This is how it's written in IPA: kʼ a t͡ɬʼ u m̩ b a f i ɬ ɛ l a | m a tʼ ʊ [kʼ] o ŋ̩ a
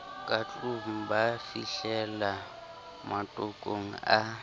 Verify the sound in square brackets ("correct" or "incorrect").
correct